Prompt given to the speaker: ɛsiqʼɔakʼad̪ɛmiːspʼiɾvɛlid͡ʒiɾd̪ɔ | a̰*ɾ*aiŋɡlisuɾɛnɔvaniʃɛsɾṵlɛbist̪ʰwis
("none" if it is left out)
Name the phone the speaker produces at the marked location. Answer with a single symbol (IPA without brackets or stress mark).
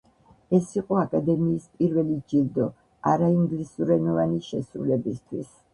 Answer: ɾ